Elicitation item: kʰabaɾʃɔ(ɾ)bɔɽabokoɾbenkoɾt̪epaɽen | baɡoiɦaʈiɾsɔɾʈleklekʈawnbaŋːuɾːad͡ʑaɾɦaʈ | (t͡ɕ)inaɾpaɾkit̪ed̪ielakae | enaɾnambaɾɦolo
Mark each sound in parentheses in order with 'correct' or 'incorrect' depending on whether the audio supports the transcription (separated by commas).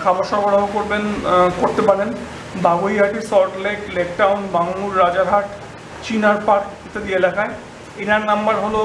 correct, correct